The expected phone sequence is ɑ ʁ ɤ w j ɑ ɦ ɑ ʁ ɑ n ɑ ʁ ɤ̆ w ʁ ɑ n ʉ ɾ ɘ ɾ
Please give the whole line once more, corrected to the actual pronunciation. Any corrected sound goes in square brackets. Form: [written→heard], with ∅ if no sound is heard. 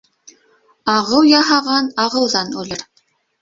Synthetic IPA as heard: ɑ ʁ ɤ w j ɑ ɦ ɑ ʁ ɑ n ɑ ʁ ɤ̆ w [ʁ→ð] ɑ n ʉ [ɾ→l] ɘ ɾ